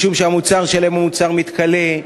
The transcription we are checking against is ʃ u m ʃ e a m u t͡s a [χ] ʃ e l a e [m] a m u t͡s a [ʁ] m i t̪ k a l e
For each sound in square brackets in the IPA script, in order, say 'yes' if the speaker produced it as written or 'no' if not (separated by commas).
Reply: no, yes, yes